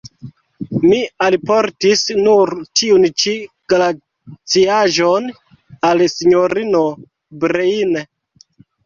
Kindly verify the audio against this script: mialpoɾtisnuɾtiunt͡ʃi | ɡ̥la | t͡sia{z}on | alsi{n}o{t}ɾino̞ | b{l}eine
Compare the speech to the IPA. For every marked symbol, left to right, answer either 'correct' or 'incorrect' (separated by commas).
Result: incorrect, incorrect, incorrect, incorrect